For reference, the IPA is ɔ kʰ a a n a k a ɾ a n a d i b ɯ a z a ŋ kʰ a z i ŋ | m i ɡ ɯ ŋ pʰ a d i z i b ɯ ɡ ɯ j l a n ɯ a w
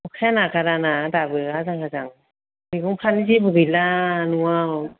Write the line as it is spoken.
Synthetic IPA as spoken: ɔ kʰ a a n a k a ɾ a n a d a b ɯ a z a ŋ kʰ a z a ŋ | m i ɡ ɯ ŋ pʰ a n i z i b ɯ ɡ ɯ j l a n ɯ a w